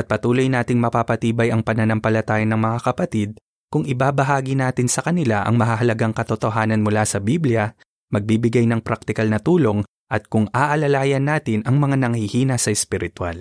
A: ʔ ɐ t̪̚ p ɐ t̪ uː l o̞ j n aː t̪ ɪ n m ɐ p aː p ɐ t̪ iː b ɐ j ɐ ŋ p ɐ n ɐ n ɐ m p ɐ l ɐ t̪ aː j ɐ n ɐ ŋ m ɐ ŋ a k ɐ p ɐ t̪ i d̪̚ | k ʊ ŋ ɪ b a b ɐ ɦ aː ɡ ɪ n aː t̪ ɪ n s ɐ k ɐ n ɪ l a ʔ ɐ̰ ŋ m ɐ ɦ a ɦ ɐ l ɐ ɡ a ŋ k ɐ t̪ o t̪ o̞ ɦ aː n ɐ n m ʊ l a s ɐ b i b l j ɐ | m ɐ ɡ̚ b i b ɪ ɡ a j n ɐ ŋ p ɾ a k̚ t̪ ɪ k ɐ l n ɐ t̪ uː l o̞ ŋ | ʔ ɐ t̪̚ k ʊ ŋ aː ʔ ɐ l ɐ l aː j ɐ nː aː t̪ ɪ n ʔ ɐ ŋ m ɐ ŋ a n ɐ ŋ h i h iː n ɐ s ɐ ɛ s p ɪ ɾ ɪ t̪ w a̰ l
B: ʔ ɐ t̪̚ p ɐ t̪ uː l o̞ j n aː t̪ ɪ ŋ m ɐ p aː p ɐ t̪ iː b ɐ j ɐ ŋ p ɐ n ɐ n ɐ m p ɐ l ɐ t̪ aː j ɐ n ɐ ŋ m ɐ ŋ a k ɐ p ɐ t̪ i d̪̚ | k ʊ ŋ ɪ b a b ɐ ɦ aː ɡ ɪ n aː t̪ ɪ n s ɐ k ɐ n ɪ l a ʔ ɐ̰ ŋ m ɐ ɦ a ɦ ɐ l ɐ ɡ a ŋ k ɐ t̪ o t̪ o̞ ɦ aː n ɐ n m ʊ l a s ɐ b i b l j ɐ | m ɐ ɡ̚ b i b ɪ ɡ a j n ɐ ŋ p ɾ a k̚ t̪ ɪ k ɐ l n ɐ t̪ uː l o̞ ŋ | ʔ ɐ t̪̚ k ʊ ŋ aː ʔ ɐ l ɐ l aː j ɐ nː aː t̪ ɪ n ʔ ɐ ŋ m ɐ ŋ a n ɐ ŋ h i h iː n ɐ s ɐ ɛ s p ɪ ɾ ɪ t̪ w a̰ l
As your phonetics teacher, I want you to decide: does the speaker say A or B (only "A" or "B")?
B